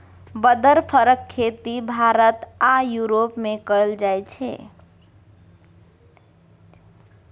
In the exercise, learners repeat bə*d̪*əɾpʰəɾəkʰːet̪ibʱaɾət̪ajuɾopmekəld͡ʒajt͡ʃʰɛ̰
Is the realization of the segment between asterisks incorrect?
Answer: no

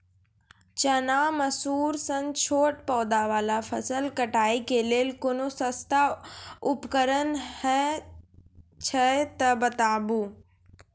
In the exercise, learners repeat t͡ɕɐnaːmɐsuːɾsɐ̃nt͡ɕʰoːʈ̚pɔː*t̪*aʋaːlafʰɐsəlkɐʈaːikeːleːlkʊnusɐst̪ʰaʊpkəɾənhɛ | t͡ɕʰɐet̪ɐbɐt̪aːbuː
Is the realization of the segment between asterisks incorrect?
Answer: yes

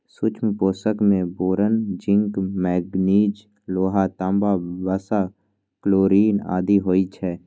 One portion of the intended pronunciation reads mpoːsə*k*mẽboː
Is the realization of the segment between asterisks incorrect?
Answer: no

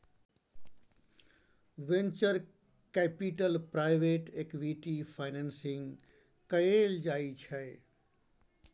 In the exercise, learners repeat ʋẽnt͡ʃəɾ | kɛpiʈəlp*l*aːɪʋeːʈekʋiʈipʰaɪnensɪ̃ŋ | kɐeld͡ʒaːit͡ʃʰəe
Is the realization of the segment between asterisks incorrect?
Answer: yes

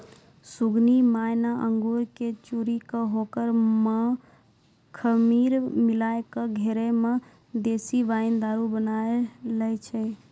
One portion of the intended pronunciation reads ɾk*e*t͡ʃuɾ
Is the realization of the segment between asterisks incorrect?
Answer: no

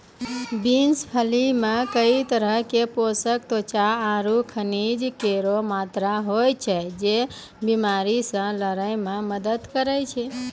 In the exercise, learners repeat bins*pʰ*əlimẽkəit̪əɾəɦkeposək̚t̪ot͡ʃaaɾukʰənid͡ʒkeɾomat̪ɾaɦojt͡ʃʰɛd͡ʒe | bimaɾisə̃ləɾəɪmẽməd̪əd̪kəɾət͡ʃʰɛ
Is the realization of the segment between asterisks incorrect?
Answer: no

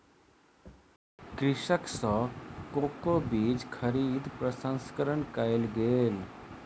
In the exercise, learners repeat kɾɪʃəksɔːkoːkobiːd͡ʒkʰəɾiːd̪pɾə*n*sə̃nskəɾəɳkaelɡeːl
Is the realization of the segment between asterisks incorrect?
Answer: yes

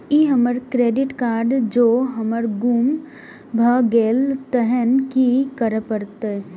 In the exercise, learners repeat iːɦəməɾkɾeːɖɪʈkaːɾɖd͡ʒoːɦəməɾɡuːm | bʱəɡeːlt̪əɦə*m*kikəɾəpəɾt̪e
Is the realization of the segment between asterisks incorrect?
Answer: yes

